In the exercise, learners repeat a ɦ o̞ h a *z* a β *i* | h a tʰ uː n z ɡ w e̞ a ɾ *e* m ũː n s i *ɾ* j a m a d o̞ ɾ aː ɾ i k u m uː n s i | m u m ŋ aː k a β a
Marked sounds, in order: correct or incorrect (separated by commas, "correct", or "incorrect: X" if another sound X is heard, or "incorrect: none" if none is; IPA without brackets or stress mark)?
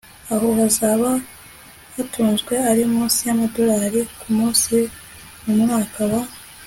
correct, incorrect: a, incorrect: i, incorrect: none